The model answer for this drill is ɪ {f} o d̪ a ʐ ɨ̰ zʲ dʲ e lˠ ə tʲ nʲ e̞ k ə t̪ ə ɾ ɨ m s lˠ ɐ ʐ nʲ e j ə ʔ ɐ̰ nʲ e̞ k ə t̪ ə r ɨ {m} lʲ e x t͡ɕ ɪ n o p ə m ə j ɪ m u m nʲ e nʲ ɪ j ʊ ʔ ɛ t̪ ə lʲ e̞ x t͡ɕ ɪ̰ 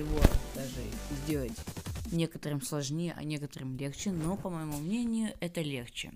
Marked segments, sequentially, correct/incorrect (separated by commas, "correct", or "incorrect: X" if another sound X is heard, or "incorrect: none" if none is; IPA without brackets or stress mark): incorrect: v, correct